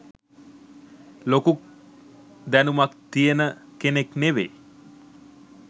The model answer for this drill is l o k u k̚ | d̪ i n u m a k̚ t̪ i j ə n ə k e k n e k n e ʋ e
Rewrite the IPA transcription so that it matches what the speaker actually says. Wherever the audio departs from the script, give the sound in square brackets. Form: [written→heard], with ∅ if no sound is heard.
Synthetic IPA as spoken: l o k u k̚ | d̪ [i→æ] n u m a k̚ t̪ i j ə n ə k e [k→∅] n e k n e ʋ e